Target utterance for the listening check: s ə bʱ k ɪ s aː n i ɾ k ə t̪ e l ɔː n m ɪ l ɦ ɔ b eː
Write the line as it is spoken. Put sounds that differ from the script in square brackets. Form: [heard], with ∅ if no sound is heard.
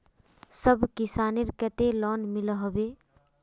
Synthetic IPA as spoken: s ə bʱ k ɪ s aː n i ɾ k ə t̪ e l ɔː n m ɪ l ɦ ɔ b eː